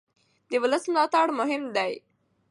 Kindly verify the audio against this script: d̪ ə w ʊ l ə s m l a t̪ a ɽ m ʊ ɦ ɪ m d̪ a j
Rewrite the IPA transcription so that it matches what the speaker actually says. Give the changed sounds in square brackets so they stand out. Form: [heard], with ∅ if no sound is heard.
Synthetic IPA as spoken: d̪ ə w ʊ l ə s m l [ɑ] t̪ a ɽ m ʊ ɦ ɪ m d̪ a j

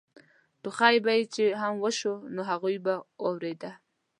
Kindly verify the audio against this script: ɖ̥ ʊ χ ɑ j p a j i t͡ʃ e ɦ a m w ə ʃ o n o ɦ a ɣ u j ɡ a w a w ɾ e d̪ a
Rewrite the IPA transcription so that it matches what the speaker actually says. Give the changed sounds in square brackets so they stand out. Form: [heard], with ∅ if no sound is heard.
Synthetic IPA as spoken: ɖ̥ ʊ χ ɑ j [b] a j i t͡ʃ e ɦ a m w ə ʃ o n o ɦ a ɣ u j [b] a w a w ɾ e d̪ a

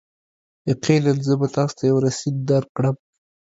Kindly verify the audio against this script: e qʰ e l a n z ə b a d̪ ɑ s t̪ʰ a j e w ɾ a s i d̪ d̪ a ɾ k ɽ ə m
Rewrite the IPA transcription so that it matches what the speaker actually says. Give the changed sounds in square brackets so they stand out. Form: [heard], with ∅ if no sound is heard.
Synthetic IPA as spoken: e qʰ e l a n z ə b a [t̪] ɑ s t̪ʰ a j [a] w ɾ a s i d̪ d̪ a ɾ k ɽ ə m

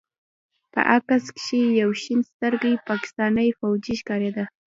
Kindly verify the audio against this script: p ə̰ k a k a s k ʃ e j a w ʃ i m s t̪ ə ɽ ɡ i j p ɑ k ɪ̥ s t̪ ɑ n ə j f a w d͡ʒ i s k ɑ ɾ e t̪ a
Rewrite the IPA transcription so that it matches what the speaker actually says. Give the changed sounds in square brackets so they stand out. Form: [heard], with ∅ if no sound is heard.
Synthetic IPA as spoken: p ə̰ [ʔ] a k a s k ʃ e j a w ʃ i [n] s t̪ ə [ɾ] ɡ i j p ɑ k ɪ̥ s t̪ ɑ n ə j f a w d͡ʒ i [ʃ] k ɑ ɾ e [d̪] a

